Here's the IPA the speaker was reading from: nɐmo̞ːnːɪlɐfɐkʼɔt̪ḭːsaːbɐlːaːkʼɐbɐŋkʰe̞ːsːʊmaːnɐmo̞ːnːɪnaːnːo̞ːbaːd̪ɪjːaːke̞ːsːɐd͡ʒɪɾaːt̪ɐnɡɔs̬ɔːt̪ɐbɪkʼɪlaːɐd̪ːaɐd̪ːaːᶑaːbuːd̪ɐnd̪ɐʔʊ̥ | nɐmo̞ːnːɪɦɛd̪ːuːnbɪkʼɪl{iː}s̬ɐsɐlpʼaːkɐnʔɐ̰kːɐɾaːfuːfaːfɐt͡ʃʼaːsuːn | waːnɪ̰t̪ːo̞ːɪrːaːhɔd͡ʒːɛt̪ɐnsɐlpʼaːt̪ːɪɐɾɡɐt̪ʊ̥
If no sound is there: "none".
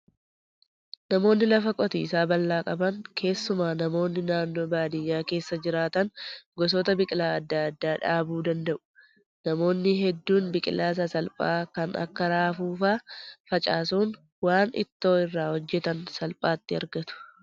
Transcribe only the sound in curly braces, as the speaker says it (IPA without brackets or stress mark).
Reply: aː